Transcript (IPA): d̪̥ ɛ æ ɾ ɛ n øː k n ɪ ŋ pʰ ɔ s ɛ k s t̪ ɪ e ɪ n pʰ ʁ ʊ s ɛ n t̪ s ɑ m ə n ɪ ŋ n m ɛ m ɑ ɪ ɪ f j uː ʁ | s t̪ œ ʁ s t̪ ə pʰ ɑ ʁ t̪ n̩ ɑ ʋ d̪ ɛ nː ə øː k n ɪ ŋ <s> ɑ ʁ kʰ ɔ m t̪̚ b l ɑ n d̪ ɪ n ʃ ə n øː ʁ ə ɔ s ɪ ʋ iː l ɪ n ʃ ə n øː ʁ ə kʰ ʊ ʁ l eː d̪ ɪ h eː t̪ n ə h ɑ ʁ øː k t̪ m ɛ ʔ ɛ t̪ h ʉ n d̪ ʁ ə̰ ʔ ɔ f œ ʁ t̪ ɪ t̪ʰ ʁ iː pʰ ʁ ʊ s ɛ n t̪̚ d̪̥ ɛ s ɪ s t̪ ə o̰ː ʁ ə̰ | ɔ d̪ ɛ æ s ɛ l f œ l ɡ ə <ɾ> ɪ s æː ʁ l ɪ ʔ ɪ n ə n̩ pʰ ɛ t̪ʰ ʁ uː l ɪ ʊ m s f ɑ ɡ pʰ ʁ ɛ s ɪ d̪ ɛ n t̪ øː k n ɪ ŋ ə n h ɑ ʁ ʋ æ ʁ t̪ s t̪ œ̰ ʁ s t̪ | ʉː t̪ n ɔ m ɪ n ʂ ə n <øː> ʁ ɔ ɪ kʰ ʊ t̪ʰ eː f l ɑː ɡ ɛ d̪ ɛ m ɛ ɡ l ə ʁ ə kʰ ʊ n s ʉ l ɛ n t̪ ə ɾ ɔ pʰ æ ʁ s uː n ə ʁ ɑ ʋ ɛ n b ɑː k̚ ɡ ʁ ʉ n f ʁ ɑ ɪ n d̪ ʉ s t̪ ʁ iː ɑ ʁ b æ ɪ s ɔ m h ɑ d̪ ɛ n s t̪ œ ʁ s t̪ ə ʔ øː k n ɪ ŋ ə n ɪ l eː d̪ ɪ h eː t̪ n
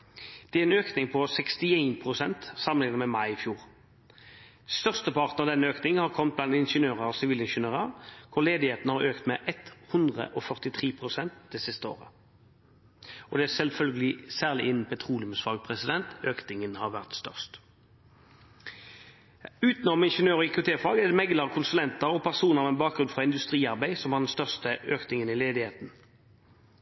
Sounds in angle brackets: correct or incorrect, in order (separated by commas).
incorrect, incorrect, correct